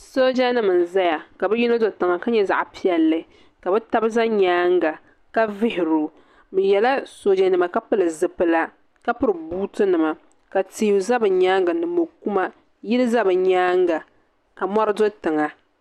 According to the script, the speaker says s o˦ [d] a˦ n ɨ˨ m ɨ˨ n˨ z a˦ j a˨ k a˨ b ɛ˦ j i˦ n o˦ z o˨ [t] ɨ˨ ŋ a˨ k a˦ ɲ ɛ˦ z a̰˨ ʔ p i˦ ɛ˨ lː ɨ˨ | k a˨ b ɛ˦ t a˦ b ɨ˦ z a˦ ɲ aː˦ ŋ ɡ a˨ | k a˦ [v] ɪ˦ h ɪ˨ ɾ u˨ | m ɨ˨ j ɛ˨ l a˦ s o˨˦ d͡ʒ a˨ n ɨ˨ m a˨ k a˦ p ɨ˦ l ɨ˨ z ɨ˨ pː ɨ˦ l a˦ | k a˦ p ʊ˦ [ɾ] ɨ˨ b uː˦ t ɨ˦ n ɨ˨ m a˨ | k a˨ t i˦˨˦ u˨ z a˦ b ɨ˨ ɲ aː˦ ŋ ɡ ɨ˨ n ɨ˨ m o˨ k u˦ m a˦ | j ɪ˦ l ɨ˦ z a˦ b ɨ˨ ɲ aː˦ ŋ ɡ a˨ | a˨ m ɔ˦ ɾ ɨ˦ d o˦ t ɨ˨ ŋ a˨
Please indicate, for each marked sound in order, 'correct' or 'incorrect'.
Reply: incorrect, correct, correct, correct

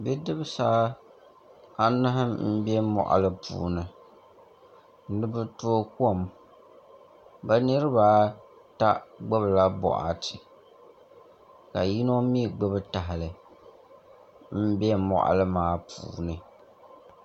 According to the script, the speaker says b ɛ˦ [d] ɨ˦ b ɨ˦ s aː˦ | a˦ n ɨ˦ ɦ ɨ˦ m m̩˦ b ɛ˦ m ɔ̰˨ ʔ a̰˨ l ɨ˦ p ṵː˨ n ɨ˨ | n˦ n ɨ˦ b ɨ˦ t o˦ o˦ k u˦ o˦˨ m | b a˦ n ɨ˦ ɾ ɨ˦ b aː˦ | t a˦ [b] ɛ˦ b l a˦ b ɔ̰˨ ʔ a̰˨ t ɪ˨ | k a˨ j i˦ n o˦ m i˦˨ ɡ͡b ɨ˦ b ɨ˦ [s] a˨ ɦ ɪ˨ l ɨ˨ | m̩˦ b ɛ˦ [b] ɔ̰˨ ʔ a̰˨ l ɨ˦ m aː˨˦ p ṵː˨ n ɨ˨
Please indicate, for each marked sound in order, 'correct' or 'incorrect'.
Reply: correct, incorrect, incorrect, incorrect

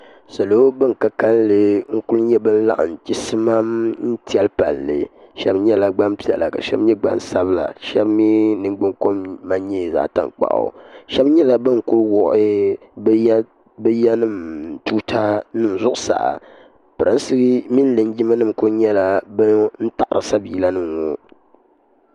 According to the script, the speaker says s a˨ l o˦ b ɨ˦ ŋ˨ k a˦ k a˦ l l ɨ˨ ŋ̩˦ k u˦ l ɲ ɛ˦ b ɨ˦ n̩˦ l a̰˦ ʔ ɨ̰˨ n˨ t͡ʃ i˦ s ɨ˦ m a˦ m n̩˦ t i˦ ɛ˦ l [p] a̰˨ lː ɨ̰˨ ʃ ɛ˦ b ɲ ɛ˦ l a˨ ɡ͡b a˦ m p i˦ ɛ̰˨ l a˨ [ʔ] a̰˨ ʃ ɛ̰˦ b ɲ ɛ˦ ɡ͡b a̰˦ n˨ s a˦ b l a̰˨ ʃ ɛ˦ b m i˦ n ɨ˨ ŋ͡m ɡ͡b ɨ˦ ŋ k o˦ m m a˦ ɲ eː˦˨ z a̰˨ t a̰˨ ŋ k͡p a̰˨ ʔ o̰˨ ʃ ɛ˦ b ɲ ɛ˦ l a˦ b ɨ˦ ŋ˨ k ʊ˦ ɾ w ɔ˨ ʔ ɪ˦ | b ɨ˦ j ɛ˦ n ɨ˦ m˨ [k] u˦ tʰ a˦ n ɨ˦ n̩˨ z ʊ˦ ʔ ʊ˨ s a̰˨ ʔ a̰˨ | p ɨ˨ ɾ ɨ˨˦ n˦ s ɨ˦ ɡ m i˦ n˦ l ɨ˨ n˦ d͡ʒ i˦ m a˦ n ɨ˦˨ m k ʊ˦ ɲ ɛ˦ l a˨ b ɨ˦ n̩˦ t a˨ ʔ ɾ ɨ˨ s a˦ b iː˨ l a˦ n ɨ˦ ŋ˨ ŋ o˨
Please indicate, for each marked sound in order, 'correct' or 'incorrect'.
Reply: correct, incorrect, incorrect

